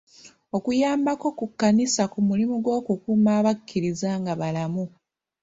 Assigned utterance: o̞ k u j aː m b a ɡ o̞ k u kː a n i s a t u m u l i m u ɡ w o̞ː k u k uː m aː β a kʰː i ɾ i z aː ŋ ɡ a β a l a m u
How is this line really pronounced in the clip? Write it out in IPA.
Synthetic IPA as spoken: o̞ k u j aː m b a k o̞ k u kː a n i s a k u m u l i m u ɡ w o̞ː k u k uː m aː β a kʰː i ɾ i z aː ŋ ɡ a β a l a m u